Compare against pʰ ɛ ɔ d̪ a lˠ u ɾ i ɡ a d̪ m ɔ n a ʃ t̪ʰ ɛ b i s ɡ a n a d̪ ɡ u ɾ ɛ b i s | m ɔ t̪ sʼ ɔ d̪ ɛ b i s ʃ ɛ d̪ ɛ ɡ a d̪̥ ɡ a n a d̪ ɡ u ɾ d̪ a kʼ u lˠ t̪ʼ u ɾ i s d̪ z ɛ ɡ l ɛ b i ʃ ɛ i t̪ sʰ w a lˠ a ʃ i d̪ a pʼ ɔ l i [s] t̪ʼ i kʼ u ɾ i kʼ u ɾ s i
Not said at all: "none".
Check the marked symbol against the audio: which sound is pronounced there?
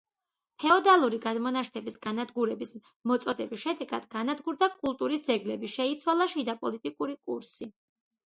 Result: none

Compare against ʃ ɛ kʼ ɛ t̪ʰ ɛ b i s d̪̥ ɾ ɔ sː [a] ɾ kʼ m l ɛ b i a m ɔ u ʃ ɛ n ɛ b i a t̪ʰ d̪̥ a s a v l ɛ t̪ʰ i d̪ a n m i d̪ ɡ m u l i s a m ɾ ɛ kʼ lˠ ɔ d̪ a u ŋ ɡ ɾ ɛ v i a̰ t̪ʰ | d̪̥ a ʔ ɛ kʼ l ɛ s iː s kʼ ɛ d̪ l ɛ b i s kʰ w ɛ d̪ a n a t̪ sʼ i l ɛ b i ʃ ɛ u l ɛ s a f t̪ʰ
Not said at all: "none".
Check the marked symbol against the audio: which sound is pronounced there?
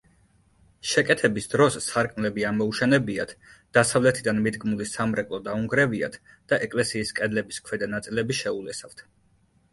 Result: a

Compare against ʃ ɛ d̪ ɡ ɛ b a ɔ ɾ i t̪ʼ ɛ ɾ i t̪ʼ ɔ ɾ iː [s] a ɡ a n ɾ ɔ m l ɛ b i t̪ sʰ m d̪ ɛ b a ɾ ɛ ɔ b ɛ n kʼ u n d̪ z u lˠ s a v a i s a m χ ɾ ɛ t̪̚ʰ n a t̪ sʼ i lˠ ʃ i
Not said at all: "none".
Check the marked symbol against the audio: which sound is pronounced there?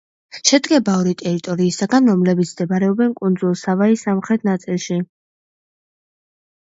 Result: s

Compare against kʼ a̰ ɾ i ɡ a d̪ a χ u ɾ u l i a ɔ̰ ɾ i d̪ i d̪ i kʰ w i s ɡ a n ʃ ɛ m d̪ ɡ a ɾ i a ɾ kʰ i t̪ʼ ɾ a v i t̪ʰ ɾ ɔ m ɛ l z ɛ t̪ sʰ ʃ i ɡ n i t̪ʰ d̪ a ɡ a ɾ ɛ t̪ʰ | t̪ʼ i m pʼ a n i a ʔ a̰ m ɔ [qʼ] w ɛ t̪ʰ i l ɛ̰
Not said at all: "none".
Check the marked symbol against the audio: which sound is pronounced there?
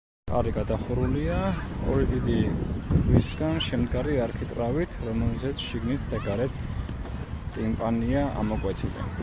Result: kʼ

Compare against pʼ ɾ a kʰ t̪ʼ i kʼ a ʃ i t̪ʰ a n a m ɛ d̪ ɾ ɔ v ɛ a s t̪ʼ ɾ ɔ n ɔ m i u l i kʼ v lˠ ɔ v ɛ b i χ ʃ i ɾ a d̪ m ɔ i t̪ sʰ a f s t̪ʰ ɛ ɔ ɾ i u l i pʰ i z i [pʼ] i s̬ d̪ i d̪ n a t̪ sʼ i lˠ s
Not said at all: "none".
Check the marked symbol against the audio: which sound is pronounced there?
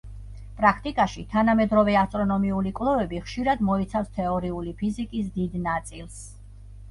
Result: kʼ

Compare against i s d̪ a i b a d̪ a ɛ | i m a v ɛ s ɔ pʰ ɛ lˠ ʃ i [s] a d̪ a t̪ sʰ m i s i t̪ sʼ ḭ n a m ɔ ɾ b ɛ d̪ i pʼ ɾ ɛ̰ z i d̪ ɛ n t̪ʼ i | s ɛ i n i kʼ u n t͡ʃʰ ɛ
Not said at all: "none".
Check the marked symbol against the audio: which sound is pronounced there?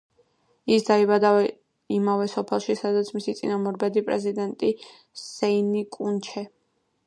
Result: s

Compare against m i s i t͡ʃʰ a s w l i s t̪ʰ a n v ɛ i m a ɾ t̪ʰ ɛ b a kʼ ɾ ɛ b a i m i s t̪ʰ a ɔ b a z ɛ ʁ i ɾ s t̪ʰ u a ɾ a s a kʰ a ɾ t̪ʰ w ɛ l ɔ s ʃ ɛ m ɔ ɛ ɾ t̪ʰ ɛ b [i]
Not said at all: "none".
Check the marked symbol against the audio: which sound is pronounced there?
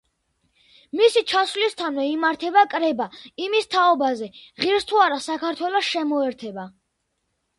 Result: a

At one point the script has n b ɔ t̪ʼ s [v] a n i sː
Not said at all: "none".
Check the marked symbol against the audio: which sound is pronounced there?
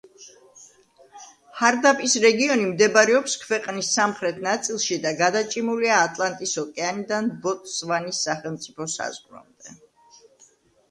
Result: v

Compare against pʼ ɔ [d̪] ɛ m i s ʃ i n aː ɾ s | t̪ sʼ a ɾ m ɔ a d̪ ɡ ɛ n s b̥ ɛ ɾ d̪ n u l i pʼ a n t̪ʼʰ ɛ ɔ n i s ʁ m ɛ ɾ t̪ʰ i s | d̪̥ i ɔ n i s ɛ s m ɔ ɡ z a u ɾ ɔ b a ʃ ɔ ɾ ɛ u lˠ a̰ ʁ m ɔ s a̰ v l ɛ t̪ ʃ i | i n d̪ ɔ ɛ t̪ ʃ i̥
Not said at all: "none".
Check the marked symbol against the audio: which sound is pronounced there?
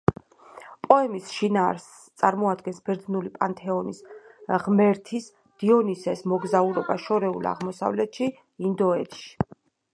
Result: none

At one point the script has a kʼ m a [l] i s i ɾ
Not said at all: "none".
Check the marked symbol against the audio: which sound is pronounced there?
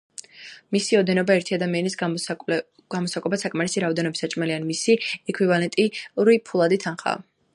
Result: ɾ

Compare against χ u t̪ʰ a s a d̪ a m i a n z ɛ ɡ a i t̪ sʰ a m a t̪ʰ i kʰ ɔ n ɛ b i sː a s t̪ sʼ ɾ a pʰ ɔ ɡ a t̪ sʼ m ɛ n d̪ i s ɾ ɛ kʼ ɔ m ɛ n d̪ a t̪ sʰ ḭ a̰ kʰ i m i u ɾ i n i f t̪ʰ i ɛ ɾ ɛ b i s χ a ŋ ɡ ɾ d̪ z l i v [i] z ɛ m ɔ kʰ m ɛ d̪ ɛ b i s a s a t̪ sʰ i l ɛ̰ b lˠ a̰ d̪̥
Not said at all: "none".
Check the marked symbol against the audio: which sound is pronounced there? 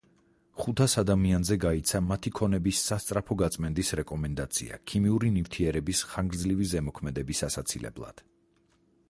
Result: i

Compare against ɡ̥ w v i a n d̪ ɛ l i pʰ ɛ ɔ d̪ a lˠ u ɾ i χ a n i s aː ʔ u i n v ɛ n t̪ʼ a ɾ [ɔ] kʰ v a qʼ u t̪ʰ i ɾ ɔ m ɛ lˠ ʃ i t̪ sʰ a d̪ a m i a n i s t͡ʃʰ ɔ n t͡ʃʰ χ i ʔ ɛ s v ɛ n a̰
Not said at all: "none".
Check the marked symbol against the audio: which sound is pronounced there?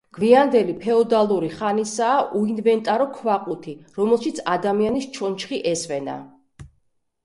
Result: ɔ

